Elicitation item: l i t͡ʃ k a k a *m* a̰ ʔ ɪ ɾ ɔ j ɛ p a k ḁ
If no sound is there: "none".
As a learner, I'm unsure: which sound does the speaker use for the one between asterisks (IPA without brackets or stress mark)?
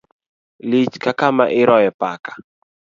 m